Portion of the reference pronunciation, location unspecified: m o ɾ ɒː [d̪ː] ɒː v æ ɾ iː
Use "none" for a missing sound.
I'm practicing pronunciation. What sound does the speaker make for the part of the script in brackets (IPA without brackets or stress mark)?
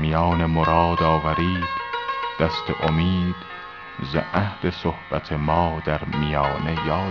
d̪